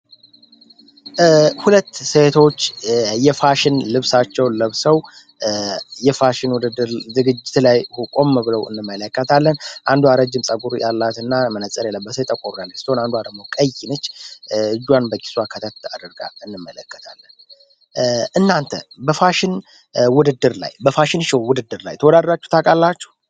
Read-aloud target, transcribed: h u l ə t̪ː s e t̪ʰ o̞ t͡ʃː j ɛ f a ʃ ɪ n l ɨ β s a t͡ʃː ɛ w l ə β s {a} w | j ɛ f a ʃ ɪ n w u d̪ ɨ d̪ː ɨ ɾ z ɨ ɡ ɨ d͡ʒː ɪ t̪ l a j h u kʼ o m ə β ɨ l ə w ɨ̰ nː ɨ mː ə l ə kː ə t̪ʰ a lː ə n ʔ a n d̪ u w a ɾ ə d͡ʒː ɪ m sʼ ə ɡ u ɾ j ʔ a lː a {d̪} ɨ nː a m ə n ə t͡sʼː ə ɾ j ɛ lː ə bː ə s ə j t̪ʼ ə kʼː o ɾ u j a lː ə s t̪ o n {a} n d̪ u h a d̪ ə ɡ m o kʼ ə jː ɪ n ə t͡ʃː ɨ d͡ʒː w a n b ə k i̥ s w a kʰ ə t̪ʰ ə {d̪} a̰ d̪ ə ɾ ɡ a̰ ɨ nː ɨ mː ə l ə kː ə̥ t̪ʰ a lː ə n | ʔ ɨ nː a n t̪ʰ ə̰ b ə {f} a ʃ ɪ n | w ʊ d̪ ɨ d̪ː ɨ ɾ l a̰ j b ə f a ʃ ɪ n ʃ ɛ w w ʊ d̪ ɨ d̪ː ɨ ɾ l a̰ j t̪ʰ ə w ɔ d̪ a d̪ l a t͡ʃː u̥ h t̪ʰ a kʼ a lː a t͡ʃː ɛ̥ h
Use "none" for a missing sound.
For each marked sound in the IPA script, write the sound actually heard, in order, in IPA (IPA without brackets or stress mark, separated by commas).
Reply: ə, t̪, a, t̪, f